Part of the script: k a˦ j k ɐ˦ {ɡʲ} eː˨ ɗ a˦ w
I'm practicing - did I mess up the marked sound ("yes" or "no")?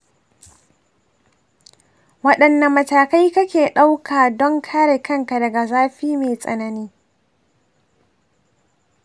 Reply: yes